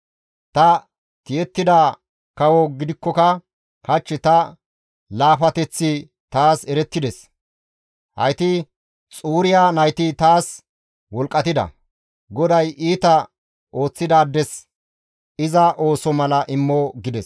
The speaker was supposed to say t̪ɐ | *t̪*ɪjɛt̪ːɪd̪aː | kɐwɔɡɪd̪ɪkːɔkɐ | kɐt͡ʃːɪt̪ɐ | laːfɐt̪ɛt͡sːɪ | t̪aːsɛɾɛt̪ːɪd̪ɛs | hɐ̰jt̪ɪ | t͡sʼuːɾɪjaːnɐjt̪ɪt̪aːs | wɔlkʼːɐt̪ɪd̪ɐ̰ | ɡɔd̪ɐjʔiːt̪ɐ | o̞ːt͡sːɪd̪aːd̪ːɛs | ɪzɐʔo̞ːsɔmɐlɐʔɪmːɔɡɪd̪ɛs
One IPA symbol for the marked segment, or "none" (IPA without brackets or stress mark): t̪